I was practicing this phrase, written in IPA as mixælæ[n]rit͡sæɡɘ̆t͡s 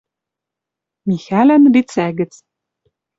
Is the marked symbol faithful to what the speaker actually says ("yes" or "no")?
yes